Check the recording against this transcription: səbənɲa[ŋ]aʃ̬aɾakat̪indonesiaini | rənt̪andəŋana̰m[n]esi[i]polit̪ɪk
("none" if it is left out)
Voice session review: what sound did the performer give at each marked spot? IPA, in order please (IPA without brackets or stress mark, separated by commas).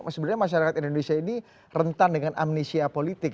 m, n, a